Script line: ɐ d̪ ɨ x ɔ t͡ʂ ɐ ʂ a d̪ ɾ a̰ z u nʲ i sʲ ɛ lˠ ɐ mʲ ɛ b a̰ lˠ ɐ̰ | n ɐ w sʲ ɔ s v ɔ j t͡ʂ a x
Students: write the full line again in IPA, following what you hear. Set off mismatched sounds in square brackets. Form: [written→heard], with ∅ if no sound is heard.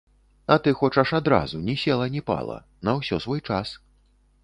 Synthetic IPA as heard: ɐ [d̪→t̪] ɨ x ɔ t͡ʂ ɐ ʂ a d̪ ɾ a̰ z u nʲ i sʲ ɛ lˠ ɐ [mʲ→nʲ] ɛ [b→p] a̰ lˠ ɐ̰ | n ɐ w sʲ ɔ s v ɔ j t͡ʂ a [x→s]